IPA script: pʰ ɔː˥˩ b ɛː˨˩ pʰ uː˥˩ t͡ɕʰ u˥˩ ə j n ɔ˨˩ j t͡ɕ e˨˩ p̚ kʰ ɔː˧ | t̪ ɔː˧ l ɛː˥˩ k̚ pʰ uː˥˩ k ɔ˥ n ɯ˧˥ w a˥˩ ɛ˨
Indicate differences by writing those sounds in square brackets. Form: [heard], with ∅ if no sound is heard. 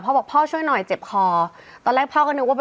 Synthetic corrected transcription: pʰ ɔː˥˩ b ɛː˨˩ pʰ [ɔː˥˩] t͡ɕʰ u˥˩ ə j n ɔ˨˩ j t͡ɕ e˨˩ p̚ kʰ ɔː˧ | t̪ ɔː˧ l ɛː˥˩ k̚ pʰ [ɔː˥˩] k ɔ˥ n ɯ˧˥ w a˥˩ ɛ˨